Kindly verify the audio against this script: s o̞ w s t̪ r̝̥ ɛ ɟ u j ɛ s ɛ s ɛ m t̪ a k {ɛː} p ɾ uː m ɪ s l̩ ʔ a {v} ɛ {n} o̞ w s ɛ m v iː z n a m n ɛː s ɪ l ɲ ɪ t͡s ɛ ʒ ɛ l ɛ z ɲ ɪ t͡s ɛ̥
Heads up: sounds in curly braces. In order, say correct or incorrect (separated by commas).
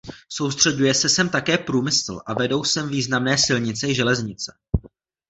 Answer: correct, correct, incorrect